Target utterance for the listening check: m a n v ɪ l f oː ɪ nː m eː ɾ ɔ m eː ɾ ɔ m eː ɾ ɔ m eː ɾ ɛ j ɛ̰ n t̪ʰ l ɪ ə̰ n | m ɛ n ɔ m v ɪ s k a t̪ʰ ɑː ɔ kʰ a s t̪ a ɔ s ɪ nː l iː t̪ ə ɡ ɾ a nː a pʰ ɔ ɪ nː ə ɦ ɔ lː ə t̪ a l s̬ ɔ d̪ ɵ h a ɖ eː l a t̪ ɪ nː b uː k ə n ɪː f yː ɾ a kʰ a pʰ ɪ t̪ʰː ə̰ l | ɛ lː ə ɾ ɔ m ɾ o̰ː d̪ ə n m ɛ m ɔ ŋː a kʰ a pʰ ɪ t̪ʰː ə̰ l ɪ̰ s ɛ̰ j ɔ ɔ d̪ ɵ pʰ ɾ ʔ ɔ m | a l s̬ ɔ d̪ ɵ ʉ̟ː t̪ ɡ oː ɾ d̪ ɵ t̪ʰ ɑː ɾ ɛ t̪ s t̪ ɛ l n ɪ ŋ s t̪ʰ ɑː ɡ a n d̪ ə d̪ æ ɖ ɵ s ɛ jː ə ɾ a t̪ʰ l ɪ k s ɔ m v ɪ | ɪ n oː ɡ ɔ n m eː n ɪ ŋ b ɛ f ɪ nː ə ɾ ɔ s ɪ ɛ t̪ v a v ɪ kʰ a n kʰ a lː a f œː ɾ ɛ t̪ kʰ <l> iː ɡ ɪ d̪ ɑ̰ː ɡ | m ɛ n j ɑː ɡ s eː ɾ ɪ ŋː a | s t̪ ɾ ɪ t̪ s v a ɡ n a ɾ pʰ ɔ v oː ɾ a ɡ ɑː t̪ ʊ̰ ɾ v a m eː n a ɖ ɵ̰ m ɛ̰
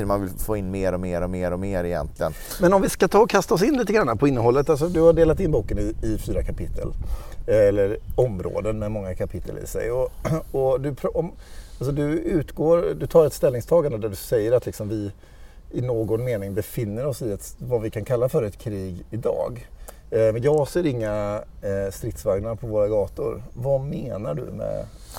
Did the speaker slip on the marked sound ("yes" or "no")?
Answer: yes